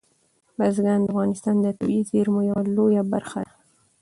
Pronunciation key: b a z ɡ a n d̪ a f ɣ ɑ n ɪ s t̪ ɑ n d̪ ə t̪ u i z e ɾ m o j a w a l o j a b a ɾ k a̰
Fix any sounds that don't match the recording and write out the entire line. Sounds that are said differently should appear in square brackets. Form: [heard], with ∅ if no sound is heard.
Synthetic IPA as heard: b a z ɡ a n d̪ a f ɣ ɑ n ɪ s t̪ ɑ n d̪ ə t̪ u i z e ɾ m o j a w a l o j a b a ɾ [x] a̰